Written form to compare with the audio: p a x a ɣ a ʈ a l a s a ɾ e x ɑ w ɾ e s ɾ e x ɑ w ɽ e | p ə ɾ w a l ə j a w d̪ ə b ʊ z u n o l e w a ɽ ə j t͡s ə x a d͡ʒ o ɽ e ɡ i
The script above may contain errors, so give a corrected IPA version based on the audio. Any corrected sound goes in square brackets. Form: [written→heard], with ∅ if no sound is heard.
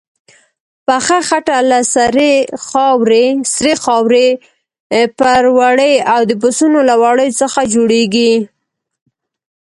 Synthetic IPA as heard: p a x a [ɣ→x] a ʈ a l a s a ɾ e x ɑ w ɾ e s ɾ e x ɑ w [ɽ→ɾ] e | p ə ɾ w a [l→ɽ] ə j a w d̪ ə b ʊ [z→s] u n o l [e→a] w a ɽ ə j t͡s ə x a d͡ʒ o ɽ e ɡ i